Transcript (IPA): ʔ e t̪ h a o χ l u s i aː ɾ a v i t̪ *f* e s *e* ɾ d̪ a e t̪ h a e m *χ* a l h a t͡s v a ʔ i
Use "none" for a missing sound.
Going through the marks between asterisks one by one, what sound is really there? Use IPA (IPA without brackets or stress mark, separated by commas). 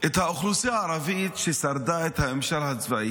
ʃ, a, ʃ